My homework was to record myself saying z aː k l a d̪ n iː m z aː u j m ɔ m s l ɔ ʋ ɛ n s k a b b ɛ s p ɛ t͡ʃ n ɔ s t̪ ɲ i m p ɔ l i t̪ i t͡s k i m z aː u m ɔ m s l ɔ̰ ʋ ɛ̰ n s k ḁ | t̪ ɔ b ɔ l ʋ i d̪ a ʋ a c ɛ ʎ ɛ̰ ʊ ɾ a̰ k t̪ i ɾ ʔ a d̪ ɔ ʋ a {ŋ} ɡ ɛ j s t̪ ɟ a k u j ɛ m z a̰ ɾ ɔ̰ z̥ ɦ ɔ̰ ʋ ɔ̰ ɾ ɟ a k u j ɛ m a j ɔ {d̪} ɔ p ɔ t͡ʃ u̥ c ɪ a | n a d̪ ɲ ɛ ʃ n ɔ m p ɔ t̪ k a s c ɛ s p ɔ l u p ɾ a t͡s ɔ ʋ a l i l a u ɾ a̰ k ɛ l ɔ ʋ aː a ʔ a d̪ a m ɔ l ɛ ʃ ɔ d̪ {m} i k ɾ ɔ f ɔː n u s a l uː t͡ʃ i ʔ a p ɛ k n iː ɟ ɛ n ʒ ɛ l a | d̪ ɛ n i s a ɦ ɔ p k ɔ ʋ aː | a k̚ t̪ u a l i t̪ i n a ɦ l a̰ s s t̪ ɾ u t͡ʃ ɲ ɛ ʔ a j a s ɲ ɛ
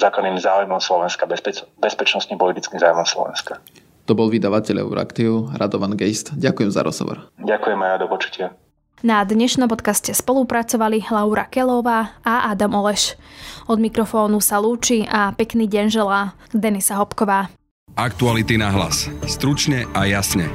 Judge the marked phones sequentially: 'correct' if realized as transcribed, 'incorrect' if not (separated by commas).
incorrect, correct, correct